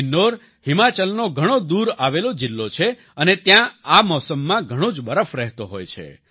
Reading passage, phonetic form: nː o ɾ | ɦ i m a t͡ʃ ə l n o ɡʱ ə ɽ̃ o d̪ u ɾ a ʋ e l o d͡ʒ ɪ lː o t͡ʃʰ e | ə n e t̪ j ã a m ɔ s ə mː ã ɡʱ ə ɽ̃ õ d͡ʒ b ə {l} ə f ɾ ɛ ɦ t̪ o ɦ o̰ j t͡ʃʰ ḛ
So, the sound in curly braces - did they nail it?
no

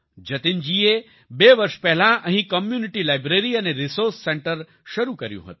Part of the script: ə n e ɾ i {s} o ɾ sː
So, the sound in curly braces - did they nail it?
yes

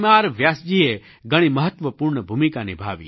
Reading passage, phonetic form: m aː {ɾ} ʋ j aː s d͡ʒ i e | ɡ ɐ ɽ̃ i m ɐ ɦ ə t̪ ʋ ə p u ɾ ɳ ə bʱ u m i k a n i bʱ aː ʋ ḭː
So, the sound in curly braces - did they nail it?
yes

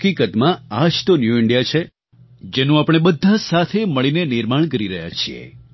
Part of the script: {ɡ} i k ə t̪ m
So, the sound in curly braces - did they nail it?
no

